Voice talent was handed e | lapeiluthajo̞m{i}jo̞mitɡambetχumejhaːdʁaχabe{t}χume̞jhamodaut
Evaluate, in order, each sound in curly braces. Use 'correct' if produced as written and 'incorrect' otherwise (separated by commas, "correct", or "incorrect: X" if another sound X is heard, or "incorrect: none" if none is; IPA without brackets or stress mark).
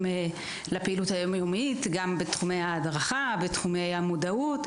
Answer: incorrect: a, correct